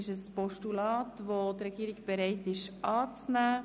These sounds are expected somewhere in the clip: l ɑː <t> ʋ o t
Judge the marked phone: correct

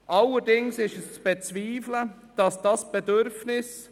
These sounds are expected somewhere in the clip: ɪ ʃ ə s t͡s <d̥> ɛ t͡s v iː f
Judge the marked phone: incorrect: b̥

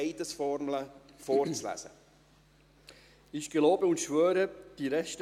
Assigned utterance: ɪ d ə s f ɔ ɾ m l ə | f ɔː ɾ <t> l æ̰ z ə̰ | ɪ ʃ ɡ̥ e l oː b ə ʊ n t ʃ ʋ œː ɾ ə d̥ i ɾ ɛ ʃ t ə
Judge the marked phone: incorrect: t͡s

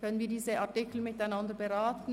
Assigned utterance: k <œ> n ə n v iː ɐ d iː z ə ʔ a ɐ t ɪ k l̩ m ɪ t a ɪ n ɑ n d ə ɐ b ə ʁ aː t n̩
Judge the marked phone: correct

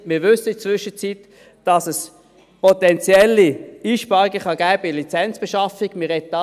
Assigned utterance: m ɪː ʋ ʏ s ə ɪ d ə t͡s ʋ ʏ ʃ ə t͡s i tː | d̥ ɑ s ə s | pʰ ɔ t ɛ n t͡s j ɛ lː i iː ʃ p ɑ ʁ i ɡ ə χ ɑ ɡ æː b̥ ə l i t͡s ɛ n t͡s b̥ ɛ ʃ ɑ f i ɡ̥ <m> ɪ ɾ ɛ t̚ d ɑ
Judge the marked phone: correct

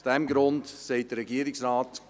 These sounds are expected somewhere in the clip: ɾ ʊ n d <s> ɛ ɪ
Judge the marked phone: correct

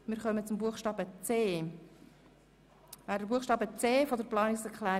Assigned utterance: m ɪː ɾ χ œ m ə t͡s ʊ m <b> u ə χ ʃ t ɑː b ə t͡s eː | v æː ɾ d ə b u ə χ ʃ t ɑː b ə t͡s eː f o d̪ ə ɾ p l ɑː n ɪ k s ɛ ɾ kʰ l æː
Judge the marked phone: correct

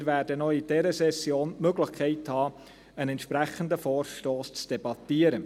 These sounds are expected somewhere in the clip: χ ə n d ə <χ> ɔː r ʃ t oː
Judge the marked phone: incorrect: f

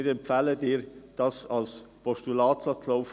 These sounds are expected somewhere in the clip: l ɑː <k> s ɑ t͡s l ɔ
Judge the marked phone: incorrect: t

